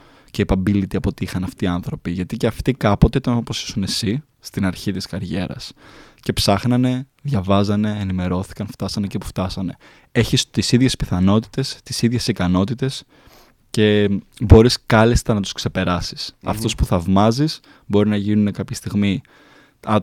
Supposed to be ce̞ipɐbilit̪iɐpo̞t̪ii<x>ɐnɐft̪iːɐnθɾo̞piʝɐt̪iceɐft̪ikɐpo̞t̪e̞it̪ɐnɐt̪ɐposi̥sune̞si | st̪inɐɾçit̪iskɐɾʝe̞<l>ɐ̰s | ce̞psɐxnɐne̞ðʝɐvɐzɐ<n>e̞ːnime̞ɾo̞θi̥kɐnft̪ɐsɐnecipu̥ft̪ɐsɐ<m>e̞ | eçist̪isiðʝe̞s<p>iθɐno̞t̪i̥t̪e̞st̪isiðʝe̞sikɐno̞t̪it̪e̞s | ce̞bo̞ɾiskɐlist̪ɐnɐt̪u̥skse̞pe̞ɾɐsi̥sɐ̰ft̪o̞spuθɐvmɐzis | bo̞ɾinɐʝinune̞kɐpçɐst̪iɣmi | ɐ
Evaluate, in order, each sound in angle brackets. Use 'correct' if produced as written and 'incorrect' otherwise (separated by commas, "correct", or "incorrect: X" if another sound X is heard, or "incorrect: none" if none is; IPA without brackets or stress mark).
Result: correct, incorrect: ɾ, correct, incorrect: n, correct